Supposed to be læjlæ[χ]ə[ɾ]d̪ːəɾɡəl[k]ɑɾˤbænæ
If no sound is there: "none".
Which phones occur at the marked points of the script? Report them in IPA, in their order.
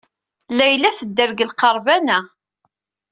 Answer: θ, none, q

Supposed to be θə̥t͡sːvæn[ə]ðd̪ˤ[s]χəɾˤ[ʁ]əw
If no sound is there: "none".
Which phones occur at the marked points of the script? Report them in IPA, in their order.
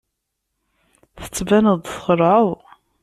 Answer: ə, θ, ʕ

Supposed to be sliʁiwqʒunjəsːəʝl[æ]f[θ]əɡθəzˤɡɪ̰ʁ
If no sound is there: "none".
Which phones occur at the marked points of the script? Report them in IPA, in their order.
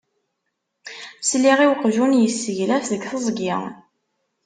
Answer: æ, ð

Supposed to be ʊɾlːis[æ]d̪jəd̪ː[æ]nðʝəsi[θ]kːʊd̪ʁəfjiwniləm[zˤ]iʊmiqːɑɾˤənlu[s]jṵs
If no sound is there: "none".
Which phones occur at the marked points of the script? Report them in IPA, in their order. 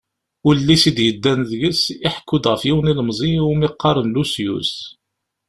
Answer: i, æ, ħ, zˤ, s

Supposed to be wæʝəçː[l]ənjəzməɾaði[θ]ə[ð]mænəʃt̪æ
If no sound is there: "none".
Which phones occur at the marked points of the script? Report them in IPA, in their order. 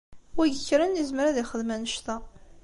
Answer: ɾ, χ, ð

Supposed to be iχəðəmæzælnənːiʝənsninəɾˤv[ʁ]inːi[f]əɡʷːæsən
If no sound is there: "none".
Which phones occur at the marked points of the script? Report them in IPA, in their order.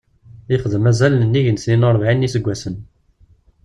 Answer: ʕ, s

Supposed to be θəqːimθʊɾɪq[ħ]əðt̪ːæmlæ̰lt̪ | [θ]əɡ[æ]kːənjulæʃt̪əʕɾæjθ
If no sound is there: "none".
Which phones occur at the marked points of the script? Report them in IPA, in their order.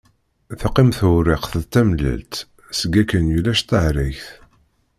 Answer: θ, s, æ

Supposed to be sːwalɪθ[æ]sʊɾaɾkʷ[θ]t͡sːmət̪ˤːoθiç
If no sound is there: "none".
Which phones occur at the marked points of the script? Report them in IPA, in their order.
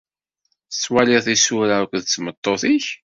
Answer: i, ð

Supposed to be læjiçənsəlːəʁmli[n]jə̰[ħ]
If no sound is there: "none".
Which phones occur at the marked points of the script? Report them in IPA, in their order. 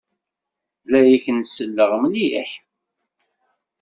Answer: none, ħ

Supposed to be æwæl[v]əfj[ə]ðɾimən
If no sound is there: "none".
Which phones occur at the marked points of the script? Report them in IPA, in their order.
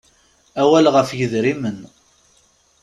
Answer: ʁ, ə

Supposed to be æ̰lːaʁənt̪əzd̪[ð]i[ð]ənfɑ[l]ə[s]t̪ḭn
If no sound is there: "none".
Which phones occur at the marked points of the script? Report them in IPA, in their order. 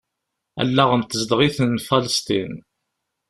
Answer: ʁ, θ, l, s

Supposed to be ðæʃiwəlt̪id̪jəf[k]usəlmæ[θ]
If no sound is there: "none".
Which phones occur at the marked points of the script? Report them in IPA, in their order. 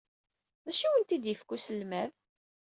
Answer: k, ð

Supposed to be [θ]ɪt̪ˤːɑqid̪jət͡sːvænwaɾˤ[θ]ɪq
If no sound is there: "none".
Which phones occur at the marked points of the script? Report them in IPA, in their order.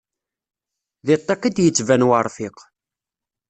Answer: ð, f

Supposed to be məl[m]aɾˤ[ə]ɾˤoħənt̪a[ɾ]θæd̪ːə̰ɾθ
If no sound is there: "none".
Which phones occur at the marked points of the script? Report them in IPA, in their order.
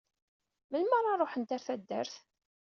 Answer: m, ɑ, ɾ

